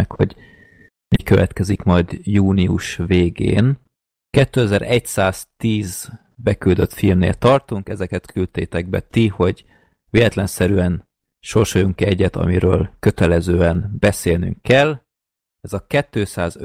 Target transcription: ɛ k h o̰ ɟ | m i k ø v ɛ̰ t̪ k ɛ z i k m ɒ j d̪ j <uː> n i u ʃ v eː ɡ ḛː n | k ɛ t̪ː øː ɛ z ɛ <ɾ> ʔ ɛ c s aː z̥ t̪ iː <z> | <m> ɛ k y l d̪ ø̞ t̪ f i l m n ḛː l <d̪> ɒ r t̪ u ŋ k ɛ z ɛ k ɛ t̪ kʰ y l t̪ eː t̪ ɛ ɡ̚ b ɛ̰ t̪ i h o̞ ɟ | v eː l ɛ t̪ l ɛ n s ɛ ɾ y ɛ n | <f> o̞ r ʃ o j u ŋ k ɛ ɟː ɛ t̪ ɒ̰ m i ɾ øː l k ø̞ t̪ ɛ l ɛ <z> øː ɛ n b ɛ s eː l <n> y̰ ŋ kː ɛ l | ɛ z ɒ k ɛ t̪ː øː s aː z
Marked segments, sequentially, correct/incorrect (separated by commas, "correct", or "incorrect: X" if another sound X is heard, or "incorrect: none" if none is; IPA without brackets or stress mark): correct, correct, correct, incorrect: b, incorrect: t̪, incorrect: ʃ, correct, correct